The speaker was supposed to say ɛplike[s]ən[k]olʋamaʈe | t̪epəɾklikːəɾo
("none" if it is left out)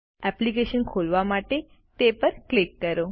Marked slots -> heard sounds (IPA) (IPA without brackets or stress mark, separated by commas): ʃ, kʰ